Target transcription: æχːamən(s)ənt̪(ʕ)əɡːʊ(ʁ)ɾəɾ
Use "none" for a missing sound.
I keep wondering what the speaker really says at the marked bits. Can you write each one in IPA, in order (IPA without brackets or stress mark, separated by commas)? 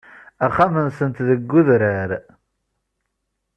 s, ð, ð